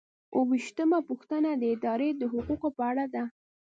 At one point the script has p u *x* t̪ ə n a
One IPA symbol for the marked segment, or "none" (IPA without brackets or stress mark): x